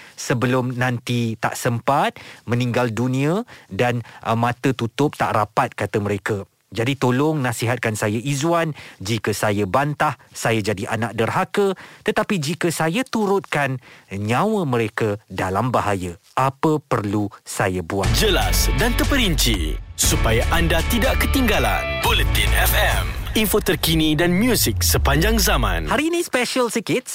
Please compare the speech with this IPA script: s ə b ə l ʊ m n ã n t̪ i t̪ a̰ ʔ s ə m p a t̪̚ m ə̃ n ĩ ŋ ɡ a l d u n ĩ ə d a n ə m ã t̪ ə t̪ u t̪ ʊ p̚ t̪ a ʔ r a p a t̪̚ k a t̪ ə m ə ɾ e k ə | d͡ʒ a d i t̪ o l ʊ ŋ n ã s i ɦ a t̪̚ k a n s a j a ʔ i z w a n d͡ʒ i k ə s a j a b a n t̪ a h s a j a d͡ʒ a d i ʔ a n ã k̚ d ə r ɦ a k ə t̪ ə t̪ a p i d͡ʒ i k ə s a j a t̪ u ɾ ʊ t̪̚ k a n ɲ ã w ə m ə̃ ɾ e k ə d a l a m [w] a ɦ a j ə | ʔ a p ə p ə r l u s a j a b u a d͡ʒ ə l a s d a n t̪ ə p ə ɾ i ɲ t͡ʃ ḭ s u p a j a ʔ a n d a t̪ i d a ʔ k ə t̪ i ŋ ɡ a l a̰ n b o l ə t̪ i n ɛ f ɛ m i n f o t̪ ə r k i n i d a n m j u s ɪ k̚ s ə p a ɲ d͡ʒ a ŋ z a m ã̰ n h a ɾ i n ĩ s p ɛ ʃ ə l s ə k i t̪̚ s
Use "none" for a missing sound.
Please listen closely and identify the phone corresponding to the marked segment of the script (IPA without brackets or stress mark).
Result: b